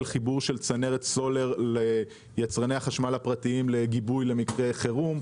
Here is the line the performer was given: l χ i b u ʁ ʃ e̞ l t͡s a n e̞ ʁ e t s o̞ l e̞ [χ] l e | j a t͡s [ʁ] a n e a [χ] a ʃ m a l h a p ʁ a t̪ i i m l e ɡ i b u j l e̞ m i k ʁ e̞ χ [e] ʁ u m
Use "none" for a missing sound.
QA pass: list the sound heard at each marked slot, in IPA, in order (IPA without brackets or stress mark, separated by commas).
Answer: ʁ, ʁ, χ, e